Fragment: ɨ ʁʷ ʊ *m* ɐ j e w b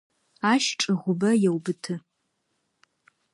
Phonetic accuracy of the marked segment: incorrect: b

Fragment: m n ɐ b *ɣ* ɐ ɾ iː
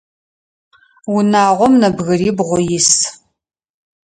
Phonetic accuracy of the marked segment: correct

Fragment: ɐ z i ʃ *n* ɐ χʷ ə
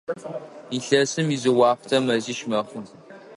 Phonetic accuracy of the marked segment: incorrect: m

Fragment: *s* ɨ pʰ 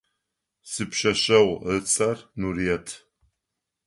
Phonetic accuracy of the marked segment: correct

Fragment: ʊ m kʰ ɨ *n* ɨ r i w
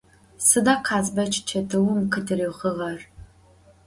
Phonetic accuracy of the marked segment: incorrect: d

